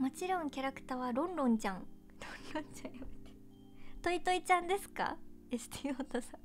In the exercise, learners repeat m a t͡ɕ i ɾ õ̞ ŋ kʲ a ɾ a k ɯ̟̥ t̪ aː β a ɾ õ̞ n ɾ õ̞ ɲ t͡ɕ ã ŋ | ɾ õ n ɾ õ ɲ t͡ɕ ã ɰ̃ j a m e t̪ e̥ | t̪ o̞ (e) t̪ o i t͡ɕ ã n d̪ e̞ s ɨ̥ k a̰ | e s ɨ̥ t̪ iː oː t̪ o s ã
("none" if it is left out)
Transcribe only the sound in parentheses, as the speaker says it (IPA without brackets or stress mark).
i